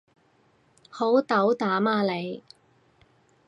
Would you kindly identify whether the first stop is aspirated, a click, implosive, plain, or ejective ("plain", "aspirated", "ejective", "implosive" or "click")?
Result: plain